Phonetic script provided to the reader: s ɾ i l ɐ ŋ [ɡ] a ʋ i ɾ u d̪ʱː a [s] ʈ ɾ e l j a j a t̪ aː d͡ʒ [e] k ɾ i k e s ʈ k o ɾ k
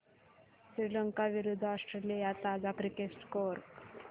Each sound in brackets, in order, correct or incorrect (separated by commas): incorrect, correct, incorrect